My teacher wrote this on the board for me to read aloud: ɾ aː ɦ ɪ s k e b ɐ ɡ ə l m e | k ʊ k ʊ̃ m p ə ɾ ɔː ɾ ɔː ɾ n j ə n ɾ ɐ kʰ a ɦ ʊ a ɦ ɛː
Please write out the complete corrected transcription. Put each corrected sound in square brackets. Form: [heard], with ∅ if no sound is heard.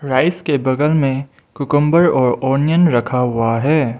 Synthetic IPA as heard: ɾ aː [∅] ɪ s k e b ɐ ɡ ə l m [ẽ] | k ʊ k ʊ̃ m [b] ə ɾ ɔː ɾ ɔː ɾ n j ə n ɾ ɐ kʰ a ɦ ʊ a ɦ ɛː